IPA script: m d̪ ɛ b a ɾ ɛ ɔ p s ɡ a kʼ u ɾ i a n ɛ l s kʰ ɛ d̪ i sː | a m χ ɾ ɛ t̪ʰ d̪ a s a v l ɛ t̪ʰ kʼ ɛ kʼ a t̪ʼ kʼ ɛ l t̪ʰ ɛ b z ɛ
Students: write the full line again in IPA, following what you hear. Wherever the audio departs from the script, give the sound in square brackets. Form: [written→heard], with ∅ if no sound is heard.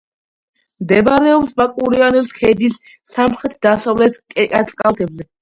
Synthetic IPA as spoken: m d̪ ɛ b a ɾ ɛ ɔ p s [ɡ→b] a kʼ u ɾ i a n ɛ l s kʰ ɛ d̪ i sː | a m χ ɾ ɛ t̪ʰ d̪ a s a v l ɛ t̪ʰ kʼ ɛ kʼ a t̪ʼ kʼ [ɛ→a] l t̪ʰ ɛ b z ɛ

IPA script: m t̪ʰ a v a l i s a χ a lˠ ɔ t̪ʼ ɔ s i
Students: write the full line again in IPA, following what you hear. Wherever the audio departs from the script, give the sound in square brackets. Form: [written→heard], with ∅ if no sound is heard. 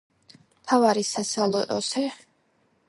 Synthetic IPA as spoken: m t̪ʰ a v a [l→ɾ] i s a [χ→s] a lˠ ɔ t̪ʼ ɔ s [i→ɛ]

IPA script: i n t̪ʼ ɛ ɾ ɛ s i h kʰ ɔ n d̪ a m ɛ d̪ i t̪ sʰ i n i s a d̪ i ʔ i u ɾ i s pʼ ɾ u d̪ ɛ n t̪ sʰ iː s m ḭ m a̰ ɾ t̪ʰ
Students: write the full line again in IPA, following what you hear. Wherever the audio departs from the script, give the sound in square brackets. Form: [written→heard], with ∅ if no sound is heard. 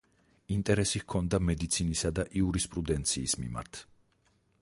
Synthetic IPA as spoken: i n t̪ʼ ɛ ɾ ɛ s i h kʰ ɔ n d̪ a m ɛ d̪ i t̪ sʰ i n i s a d̪ [i→a] ʔ i u ɾ i s pʼ ɾ u d̪ ɛ n t̪ sʰ iː s m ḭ m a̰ ɾ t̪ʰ

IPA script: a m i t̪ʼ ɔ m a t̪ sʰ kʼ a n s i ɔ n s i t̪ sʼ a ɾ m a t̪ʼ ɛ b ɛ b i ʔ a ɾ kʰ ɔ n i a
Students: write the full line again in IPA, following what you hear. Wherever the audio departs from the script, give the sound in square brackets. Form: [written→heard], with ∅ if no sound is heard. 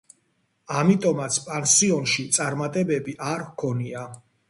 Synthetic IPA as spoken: a m i t̪ʼ ɔ m a t̪ sʰ [kʼ→pʼ] a n s i ɔ n [s→ʃ] i t̪ sʼ a ɾ m a t̪ʼ ɛ b ɛ b i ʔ a ɾ kʰ ɔ n i a

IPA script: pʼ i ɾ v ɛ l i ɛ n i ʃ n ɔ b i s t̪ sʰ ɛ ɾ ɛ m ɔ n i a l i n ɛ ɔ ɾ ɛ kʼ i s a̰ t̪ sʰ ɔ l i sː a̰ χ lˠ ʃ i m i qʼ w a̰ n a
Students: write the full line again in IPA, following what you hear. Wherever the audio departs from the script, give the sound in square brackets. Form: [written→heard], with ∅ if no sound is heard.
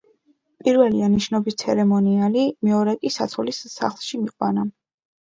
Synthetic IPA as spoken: pʼ i ɾ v ɛ l i [ɛ→a] n i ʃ n ɔ b i s t̪ sʰ ɛ ɾ ɛ m ɔ n i a l i [n→m] ɛ ɔ ɾ ɛ kʼ i s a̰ t̪ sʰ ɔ l i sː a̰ χ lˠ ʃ i m i qʼ w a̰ n a

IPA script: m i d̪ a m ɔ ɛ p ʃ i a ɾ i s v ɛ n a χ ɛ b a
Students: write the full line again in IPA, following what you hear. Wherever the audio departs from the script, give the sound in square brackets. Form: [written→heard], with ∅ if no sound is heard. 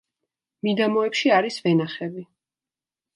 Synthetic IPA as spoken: m i d̪ a m ɔ ɛ p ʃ i a ɾ i s v ɛ n a χ ɛ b [a→i]

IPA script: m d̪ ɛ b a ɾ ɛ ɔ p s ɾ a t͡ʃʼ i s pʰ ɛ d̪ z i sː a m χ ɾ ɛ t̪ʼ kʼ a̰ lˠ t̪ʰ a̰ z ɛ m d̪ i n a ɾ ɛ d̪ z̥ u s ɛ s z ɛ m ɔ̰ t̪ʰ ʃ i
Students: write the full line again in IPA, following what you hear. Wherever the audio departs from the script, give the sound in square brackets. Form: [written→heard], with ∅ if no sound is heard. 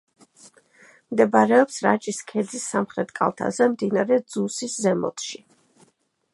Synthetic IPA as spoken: m d̪ ɛ b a ɾ ɛ ɔ p s ɾ a t͡ʃʼ i s [pʰ→kʰ] ɛ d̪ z i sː a m χ ɾ ɛ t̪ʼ kʼ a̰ lˠ t̪ʰ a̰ z ɛ m d̪ i n a ɾ ɛ d̪ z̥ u s [ɛ→i] s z ɛ m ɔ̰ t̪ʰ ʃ i

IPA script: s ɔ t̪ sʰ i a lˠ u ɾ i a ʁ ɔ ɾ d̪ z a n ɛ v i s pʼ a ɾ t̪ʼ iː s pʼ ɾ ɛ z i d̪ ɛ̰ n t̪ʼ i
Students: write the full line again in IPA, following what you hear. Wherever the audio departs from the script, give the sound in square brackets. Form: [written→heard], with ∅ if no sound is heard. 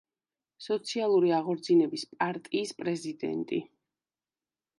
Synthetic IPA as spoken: s ɔ t̪ sʰ i a lˠ u ɾ i a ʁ ɔ ɾ d̪ z [a→i] n ɛ [v→b] i s pʼ a ɾ t̪ʼ iː s pʼ ɾ ɛ z i d̪ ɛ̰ n t̪ʼ i

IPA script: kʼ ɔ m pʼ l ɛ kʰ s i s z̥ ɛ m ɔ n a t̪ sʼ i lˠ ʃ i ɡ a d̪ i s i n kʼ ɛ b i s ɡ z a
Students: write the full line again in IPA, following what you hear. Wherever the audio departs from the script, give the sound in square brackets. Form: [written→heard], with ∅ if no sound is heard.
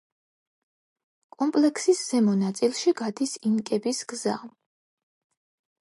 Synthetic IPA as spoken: kʼ ɔ m pʼ l ɛ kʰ s i s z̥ ɛ m ɔ n a t̪ sʼ i lˠ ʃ i ɡ a d̪ i s i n kʼ ɛ b i s ɡ z a

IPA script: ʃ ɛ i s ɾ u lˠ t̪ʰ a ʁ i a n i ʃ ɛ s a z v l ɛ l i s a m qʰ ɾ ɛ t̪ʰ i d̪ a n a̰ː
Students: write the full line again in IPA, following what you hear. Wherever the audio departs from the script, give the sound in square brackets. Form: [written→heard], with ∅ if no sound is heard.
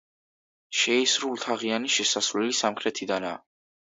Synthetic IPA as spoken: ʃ ɛ i s ɾ u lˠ t̪ʰ a ʁ i a n i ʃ ɛ s a [z→s] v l ɛ l i s a m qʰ ɾ ɛ t̪ʰ i d̪ a n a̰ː

